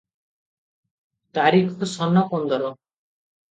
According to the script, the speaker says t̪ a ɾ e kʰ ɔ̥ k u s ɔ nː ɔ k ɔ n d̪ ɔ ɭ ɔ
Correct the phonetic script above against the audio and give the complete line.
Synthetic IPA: t̪ a ɾ i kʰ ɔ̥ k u s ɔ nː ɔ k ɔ n d̪ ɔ ɾ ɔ